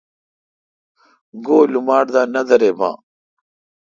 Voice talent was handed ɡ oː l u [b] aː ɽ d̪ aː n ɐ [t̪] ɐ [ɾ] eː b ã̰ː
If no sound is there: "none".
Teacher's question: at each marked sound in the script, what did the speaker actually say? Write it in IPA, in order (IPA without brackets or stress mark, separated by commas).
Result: m, d̪, ɾ